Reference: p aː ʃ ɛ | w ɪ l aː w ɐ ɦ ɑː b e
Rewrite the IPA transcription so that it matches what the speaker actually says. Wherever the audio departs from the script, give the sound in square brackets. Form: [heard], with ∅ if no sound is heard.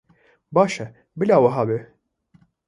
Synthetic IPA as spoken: [b] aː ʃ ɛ | [b] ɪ l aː w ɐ ɦ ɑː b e